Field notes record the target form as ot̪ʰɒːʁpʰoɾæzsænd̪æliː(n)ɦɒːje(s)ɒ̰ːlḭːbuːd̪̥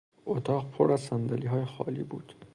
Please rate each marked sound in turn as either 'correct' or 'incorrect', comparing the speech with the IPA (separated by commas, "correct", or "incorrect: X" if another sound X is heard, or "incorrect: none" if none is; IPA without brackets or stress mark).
incorrect: none, incorrect: x